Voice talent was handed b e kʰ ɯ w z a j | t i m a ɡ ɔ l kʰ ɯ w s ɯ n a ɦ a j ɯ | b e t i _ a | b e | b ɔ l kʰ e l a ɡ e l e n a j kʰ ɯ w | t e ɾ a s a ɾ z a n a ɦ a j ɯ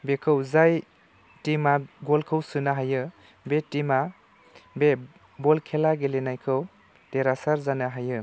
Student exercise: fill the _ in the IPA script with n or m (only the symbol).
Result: m